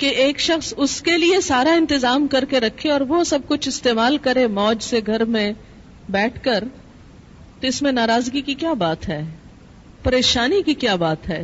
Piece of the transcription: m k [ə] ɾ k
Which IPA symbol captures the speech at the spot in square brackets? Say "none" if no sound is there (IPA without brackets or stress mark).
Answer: ɐ